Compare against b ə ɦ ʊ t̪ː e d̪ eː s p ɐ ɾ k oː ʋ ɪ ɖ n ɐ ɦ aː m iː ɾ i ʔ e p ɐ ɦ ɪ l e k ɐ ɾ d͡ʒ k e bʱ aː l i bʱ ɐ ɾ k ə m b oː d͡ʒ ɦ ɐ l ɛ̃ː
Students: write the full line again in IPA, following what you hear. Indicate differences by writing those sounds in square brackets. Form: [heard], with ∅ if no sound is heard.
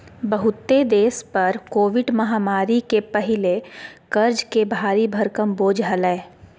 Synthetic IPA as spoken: b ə ɦ ʊ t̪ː e d̪ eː s p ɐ ɾ k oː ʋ ɪ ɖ [m] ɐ ɦ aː m [aː] ɾ i [k] e p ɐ ɦ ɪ l e k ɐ ɾ d͡ʒ k e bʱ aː [ɾ] i bʱ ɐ ɾ k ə m b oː d͡ʒ ɦ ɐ l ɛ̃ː

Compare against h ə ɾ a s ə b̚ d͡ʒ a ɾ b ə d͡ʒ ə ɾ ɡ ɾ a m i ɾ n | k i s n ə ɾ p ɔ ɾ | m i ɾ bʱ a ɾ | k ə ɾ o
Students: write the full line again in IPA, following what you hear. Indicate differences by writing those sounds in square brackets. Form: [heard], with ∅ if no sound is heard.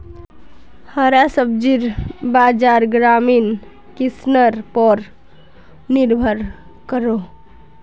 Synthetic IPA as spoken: h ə ɾ a s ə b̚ d͡ʒ [i] ɾ b [a] d͡ʒ [a] ɾ ɡ ɾ a m i [∅] n | k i s n ə ɾ p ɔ ɾ | [n] i ɾ bʱ [ə] ɾ | k ə ɾ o

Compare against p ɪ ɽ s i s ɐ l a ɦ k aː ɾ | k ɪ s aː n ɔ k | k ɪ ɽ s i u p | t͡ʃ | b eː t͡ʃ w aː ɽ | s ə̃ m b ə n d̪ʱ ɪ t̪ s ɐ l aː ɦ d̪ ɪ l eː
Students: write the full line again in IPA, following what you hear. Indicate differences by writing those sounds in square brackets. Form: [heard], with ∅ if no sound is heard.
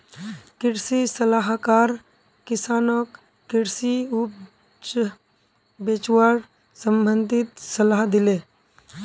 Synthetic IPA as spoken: [k] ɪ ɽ s i s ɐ l a ɦ k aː ɾ | k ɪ s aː n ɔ k | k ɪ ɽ s i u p | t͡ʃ | b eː t͡ʃ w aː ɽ | s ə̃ m b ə n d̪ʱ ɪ t̪ s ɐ l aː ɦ d̪ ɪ l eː

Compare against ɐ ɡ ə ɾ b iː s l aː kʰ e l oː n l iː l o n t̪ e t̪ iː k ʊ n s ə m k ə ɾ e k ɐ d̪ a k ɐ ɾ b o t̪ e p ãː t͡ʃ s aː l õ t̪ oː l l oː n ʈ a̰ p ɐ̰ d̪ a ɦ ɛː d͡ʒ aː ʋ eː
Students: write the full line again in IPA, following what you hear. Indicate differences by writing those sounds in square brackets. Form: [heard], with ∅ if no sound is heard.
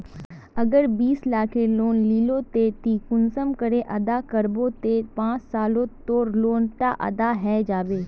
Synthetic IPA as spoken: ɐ ɡ ə ɾ b iː s l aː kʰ e l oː n l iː l o [∅] t̪ e t̪ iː k ʊ n s ə m k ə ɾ e [ʔ] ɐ d̪ a k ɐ ɾ b o t̪ e p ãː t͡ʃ s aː l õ t̪ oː [ɾ] l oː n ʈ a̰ [ʔ] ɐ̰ d̪ a ɦ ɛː d͡ʒ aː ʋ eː

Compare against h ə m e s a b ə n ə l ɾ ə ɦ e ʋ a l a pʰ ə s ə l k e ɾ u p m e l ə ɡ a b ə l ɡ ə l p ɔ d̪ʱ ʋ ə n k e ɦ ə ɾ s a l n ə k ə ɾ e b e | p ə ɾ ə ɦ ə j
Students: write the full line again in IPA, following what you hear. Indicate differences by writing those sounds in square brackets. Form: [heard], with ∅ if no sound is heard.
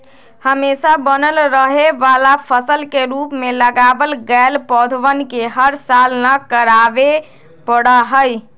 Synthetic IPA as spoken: h ə m e s a b ə n ə l ɾ ə ɦ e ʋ a l a pʰ ə s ə l k e ɾ u p m e l ə ɡ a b ə l ɡ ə l p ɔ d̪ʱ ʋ ə n k e ɦ ə ɾ s a l n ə k ə ɾ [a] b e | p ə [ɽ] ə ɦ ə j

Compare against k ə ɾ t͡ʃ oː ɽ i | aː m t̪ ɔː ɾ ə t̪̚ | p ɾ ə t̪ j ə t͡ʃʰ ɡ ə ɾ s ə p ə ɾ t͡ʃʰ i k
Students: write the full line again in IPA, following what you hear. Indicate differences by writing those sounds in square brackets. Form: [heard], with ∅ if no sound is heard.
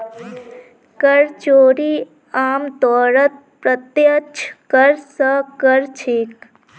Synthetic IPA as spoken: k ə ɾ t͡ʃ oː [ɾ] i | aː m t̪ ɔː ɾ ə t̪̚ | p ɾ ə t̪ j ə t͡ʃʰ [k] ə ɾ s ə [k] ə ɾ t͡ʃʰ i k

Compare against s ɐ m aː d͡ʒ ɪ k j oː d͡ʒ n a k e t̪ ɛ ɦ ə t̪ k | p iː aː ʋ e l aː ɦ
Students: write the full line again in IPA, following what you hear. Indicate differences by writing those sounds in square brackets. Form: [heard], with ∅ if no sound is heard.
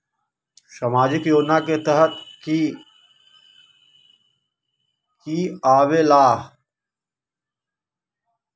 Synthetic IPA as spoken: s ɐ m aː d͡ʒ ɪ k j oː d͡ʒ n a k e t̪ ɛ ɦ ə t̪ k | [k] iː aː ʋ e l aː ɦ

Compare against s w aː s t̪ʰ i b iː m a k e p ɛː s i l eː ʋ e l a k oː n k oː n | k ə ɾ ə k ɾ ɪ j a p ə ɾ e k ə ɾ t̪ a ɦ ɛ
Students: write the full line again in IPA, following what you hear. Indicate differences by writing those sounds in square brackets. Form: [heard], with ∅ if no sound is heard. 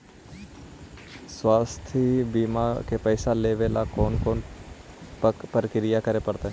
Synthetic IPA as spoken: s w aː s t̪ʰ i b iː m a k e p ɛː s [a] l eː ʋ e l a k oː n k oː n | [p] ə ɾ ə k ɾ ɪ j a [k] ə ɾ e [p] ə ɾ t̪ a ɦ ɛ

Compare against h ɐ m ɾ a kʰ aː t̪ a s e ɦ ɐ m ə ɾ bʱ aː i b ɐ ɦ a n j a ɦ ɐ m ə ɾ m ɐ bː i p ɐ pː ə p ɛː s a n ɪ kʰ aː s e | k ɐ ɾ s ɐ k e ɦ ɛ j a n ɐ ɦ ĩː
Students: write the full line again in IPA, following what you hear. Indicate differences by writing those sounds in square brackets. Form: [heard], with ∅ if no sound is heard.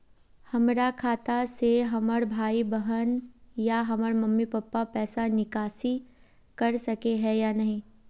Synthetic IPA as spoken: h ɐ m ɾ a kʰ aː t̪ a s e ɦ ɐ m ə ɾ bʱ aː i b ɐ ɦ [ə] n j a ɦ ɐ m ə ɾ m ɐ [mː] i p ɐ pː [a] p ɛː s a n ɪ [k] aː s [i] | k ɐ ɾ s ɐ k e ɦ ɛ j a n ɐ ɦ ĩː

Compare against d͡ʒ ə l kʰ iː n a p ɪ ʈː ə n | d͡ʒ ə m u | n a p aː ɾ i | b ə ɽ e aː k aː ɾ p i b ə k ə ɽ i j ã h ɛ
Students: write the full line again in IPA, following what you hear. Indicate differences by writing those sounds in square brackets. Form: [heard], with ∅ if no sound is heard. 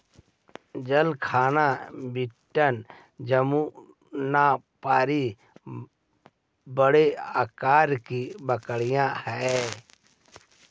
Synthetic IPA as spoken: d͡ʒ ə l kʰ [aː] n a [b] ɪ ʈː ə n | d͡ʒ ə m u | n a p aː ɾ i | b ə ɽ e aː k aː ɾ [k] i b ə k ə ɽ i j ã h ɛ

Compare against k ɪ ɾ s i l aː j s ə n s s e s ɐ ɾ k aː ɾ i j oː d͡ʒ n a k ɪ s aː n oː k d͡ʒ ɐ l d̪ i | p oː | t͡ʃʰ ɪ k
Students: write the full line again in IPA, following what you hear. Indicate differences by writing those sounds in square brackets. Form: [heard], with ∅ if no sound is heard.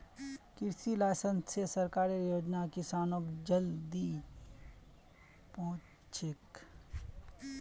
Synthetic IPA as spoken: k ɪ ɾ s i l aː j s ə n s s e s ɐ ɾ k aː ɾ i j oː d͡ʒ n a k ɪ s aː n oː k d͡ʒ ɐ l d̪ i | p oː | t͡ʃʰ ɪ k

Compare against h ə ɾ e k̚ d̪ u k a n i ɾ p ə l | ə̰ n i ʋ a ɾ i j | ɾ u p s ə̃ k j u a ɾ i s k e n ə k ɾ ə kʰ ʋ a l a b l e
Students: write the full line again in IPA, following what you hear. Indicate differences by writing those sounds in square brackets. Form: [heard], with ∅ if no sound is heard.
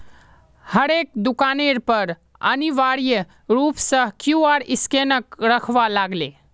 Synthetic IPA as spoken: h ə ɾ e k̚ d̪ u k a n [e] ɾ p ə [ɾ] | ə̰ n i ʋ a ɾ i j | ɾ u p s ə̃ k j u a ɾ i s k e n ə k ɾ ə kʰ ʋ a l a [ɡ] l e

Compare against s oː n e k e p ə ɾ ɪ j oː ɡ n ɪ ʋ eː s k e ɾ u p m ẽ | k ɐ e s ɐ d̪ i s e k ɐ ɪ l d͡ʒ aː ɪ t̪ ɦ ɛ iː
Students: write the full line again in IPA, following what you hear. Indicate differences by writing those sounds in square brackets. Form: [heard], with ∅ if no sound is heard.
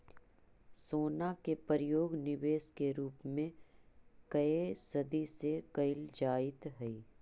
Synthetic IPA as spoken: s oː n [a] k e p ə ɾ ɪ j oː ɡ n ɪ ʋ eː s k e ɾ [uː] p m ẽ | k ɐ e s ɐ d̪ i s e k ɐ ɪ l d͡ʒ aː ɪ t̪ ɦ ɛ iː

